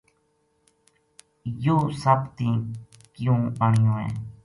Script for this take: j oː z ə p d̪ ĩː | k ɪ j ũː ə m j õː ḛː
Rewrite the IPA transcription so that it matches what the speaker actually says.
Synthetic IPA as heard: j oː s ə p t̪ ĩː | k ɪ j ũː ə ɳ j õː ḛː